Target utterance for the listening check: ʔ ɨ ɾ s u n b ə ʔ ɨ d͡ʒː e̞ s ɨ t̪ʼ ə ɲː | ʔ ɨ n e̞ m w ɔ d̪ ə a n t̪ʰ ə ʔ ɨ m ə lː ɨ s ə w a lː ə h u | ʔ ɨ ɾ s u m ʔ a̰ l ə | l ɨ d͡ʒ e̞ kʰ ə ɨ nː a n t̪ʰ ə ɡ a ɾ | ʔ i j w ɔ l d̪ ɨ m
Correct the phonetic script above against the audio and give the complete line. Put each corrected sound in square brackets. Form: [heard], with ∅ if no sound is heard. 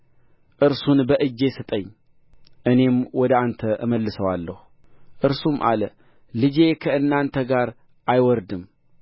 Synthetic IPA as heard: ʔ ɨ ɾ s u n b ə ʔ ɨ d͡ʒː e̞ s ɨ t̪ʼ ə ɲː | ʔ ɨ n e̞ m w ɔ d̪ ə a n t̪ʰ ə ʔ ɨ m ə lː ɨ s ə w a lː ə h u | ʔ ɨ ɾ s u m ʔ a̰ l ə | l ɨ d͡ʒ e̞ kʰ ə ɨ nː a n t̪ʰ ə ɡ a ɾ | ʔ [a] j w ɔ [ɾ] d̪ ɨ m

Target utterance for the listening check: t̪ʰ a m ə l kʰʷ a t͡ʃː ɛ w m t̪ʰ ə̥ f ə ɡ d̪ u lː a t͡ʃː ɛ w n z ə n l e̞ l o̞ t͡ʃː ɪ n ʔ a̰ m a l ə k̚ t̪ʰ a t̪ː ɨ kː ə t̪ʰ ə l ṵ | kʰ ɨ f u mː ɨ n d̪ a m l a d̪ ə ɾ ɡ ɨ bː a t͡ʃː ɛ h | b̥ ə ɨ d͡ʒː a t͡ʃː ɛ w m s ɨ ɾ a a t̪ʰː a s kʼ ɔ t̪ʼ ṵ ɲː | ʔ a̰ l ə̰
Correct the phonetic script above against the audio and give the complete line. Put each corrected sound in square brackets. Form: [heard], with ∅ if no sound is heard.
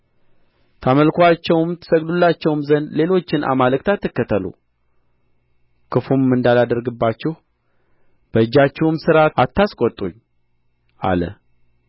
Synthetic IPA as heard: t̪ʰ a m ə l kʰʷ a t͡ʃː ɛ w m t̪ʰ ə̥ [s] ə ɡ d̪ u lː a t͡ʃː ɛ w [m] z ə n l e̞ l o̞ t͡ʃː ɪ n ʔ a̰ m a l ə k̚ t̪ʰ a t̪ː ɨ kː ə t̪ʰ ə l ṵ | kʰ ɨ f u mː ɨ n d̪ a [∅] l a d̪ ə ɾ ɡ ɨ bː a t͡ʃː ɛ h | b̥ ə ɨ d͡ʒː a t͡ʃː ɛ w m s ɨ ɾ a a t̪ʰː a s kʼ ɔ t̪ʼ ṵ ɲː | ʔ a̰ l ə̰

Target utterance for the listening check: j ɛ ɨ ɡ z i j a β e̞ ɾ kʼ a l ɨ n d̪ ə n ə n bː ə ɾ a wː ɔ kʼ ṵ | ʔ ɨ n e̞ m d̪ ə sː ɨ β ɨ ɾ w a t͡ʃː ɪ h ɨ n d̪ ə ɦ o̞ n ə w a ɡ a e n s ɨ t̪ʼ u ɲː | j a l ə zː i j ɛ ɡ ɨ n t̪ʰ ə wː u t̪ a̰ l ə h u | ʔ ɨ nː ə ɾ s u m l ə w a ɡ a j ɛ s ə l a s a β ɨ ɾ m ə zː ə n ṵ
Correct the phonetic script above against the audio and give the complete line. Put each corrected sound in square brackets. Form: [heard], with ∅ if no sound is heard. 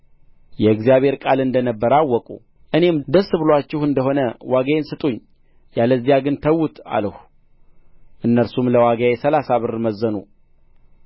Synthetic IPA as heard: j ɛ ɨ ɡ z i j a β e̞ ɾ kʼ a l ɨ n d̪ ə n ə [∅] bː ə ɾ a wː ɔ kʼ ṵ | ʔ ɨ n e̞ m d̪ ə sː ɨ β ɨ [l] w a t͡ʃː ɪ h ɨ n d̪ ə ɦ o̞ n ə w a ɡ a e n s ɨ t̪ʼ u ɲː | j a l ə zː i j [a] ɡ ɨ n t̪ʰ ə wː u t̪ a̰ l ə h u | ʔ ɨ nː ə ɾ s u m l ə w a ɡ a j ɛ s ə l a s a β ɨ ɾ m ə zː ə n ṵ

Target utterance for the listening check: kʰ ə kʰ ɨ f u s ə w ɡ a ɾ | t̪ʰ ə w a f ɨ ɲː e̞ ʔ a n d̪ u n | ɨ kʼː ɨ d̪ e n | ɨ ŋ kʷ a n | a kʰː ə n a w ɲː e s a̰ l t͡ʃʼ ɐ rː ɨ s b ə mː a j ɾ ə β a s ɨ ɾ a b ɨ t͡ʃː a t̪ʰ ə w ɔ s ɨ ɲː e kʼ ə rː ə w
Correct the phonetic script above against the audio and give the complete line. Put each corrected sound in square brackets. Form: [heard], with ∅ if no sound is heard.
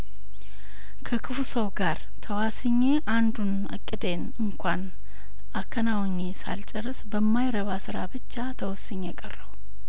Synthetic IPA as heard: kʰ ə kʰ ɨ f u s ə w ɡ a ɾ | t̪ʰ ə w a [s] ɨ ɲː e̞ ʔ a n d̪ u n | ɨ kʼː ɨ d̪ e n | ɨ ŋ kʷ a n | a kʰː ə n a w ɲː e s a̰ l t͡ʃʼ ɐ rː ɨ s b ə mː a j ɾ ə β a s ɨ ɾ a b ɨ t͡ʃː a t̪ʰ ə w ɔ s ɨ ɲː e kʼ ə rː ə w

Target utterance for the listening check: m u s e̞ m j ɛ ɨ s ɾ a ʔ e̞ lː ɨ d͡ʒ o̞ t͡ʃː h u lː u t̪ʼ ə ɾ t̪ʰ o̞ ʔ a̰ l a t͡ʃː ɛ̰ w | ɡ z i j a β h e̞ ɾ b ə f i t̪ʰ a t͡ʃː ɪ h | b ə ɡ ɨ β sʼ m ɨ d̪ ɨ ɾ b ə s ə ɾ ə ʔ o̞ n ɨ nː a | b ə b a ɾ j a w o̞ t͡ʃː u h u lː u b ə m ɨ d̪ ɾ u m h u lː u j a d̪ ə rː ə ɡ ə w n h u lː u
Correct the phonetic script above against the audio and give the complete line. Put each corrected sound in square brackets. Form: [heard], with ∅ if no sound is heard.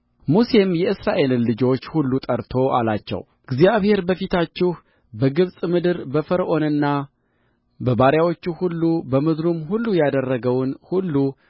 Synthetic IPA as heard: m u s e̞ m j ɛ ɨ s ɾ a ʔ e̞ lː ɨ d͡ʒ o̞ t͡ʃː h u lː u t̪ʼ ə ɾ t̪ʰ o̞ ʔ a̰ l a t͡ʃː ɛ̰ w | ɡ z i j a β h e̞ ɾ b ə f i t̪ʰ a t͡ʃː ɪ h | b ə ɡ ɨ β sʼ m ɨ d̪ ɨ ɾ b ə [f] ə ɾ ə ʔ o̞ n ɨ nː a | b ə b a ɾ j a w o̞ t͡ʃː u h u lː u b ə m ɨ d̪ ɾ u m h u lː u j a d̪ ə rː ə ɡ ə w n h u lː u

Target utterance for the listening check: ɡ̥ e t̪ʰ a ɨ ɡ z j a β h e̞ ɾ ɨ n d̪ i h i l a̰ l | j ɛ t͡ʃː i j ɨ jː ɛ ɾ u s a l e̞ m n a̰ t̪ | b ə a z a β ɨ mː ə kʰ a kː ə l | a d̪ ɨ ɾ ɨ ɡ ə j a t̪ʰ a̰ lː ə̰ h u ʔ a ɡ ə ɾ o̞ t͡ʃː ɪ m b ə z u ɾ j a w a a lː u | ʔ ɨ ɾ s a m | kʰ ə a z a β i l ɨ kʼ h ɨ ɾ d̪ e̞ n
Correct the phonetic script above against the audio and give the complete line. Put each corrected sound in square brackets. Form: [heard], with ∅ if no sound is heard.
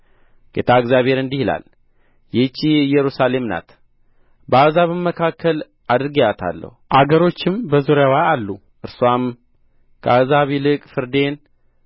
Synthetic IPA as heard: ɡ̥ e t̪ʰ a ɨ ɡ z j a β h e̞ ɾ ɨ n d̪ i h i l a̰ l | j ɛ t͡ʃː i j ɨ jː ɛ ɾ u s a l e̞ m n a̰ t̪ | b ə a z a β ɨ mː ə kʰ a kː ə l | a d̪ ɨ ɾ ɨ ɡ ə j a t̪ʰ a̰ lː ə̰ h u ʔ a ɡ ə ɾ o̞ t͡ʃː ɪ m b ə z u ɾ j a w a a lː u | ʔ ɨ ɾ s a m | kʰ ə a z a β i l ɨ kʼ [f] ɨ ɾ d̪ e̞ n

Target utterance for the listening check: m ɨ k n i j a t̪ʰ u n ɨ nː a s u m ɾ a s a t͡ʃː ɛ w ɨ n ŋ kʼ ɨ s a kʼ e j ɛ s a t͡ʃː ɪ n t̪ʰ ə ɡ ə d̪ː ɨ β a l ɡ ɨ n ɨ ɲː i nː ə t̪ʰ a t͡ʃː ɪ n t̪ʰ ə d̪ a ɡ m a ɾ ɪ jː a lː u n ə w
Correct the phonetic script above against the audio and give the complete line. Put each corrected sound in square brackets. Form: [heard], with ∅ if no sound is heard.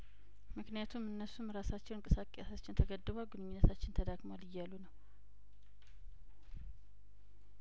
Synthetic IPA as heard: m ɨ k n i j a t̪ʰ u [m] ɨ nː [ə] s u m ɾ a s a t͡ʃː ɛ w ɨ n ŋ kʼ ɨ s a kʼ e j [a] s a t͡ʃː ɪ n t̪ʰ ə ɡ ə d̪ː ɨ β a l ɡ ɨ n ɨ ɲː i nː ə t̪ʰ a t͡ʃː ɪ n t̪ʰ ə d̪ a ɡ m a [l] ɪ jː a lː u n ə w

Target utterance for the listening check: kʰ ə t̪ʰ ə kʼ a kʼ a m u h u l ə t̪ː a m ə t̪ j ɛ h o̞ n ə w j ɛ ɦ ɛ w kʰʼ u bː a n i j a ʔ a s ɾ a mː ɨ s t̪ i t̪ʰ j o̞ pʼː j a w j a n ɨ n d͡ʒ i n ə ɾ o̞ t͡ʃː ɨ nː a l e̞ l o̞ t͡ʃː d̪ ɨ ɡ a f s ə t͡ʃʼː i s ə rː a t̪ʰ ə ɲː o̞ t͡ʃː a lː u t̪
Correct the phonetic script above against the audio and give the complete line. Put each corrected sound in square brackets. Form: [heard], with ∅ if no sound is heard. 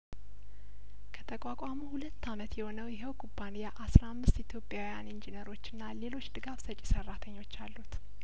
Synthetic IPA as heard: kʰ ə t̪ʰ ə kʼ a kʼ a m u h u l ə t̪ː a m ə t̪ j ɛ h o̞ n ə w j ɛ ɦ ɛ w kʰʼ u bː a n i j a ʔ a s ɾ a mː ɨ s t̪ i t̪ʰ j o̞ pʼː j a w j a n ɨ n d͡ʒ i n ə ɾ o̞ t͡ʃː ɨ nː a l e̞ l o̞ t͡ʃː d̪ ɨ ɡ a f s ə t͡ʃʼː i s ə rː a t̪ʰ ə ɲː o̞ t͡ʃː a lː u t̪

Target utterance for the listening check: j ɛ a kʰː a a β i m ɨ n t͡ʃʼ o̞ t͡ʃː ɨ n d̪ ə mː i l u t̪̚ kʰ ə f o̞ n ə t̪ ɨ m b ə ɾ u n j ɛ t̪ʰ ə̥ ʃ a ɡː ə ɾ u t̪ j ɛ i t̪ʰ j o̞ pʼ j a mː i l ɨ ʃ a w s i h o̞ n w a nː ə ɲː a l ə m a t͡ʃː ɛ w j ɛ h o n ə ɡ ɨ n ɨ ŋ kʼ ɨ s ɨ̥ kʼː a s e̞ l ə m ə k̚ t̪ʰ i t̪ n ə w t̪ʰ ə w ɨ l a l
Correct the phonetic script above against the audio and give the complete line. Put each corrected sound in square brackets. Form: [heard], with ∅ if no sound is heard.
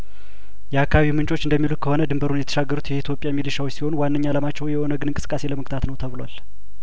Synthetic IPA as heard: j ɛ a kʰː a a β i m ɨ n t͡ʃʼ o̞ t͡ʃː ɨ n d̪ ə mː i l u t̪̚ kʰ ə [h] o̞ n ə [d̪] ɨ m b ə ɾ u n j ɛ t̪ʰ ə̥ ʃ a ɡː ə ɾ u t̪ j ɛ i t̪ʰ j o̞ pʼ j a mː i l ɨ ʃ a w s i h o̞ n w a nː ə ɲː a l ə m a t͡ʃː ɛ w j ɛ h o n ə ɡ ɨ n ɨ ŋ kʼ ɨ s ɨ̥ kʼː a s e̞ l ə m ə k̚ t̪ʰ [a] t̪ n ə w t̪ʰ ə [β] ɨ l a l

